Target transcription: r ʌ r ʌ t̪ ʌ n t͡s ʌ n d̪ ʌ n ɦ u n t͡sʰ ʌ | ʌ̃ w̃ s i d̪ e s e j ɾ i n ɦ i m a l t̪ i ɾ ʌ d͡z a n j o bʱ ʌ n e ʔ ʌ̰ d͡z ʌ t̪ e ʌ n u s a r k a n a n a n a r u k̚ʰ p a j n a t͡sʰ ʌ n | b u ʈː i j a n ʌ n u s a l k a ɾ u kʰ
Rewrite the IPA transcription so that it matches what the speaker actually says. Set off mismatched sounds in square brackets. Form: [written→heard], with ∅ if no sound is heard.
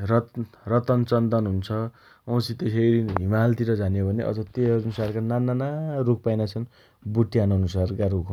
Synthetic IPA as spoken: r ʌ r ʌ t̪ ʌ n t͡s ʌ n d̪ ʌ n ɦ u n t͡sʰ ʌ | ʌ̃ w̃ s i [d̪→t̪] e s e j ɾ i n ɦ i m a l t̪ i ɾ ʌ d͡z a n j o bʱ ʌ n e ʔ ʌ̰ d͡z ʌ t̪ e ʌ n u s a r k a n a n a n a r u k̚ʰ p a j n a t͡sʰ ʌ n | b u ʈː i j a n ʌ n u s a [l→r] k a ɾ u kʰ